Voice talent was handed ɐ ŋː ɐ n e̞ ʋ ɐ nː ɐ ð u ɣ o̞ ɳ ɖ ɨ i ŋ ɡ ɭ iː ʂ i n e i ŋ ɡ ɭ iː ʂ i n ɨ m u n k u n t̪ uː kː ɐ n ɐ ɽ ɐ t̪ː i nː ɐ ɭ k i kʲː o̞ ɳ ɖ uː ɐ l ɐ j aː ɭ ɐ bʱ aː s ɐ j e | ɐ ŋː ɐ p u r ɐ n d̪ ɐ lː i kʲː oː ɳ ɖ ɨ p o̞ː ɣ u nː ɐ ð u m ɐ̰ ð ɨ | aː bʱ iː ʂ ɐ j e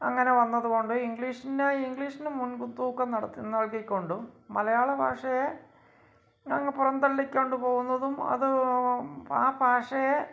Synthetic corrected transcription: ɐ ŋː ɐ n e̞ ʋ ɐ nː ɐ ð u ɣ o̞ ɳ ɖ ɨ i ŋ ɡ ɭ iː ʂ i n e i ŋ ɡ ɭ iː ʂ i n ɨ m u n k u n t̪ uː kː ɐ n ɐ ɽ ɐ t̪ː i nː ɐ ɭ k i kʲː o̞ ɳ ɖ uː ɐ l ɐ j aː ɭ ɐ bʱ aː ʂ ɐ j e | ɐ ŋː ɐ p u r ɐ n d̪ ɐ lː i kʲː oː ɳ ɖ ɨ p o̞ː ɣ u nː ɐ ð u m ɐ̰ ð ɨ | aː bʱ aː ʂ ɐ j e